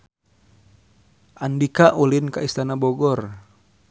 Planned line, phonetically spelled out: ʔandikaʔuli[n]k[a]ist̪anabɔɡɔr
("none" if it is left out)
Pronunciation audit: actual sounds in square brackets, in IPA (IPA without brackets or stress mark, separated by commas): n, a